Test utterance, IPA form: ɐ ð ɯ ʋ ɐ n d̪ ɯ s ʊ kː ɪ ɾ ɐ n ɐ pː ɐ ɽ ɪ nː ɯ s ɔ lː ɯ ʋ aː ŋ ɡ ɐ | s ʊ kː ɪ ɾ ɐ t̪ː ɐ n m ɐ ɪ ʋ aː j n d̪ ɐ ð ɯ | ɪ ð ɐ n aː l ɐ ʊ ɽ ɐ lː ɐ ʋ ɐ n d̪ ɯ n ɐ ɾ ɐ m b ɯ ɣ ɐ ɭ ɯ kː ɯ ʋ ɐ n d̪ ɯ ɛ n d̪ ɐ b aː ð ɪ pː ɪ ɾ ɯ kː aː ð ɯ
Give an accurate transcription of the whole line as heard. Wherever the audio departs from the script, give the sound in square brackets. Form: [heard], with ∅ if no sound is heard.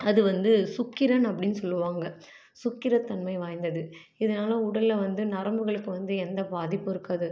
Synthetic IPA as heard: ɐ ð ɯ ʋ ɐ n d̪ ɯ s ʊ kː ɪ ɾ ɐ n ɐ pː ɐ ɽ ɪ nː ɯ s ɔ lː ɯ ʋ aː ŋ ɡ ɐ | s ʊ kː ɪ ɾ ɐ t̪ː ɐ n m ɐ ɪ ʋ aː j n d̪ ɐ ð ɯ | ɪ ð ɐ n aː l ɐ ʊ ɽ ɐ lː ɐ ʋ ɐ n d̪ ɯ n ɐ ɾ ɐ m b ɯ ɣ ɐ ɭ ɯ kː ɯ ʋ ɐ n d̪ ɯ ɛ n d̪ ɐ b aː ð ɪ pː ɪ ɾ ɯ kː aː ð ɯ